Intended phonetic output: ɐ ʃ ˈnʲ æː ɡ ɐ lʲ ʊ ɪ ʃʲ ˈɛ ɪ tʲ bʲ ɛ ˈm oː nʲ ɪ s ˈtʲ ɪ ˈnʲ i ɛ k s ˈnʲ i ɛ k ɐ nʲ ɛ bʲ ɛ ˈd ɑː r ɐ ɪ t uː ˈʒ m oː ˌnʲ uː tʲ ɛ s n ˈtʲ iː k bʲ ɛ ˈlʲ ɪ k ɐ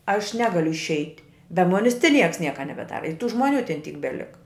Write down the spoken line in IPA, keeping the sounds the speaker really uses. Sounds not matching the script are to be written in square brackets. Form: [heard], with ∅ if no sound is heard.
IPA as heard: ɐ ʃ ˈnʲ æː ɡ ɐ lʲ ʊ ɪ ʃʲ ˈɛ ɪ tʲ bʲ ɛ ˈm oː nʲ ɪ s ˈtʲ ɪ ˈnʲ i ɛ k s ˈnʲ i ɛ k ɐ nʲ ɛ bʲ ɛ ˈd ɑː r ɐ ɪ t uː ˈʒ m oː ˌnʲ uː tʲ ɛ [∅] n ˈtʲ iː k bʲ ɛ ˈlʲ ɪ k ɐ